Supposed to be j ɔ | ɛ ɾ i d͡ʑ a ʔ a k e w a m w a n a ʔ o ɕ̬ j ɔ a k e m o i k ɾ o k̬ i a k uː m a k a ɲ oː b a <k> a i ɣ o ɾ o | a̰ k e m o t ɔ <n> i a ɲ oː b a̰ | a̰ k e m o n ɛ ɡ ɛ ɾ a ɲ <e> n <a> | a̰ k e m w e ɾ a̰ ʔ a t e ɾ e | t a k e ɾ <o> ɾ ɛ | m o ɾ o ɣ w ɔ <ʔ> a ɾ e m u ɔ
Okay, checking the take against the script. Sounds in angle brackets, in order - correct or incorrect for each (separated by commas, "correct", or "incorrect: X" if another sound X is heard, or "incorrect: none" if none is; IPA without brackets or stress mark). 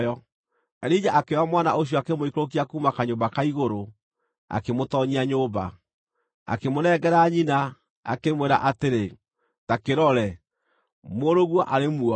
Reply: correct, incorrect: ɲ, incorrect: i, correct, incorrect: ɔ, correct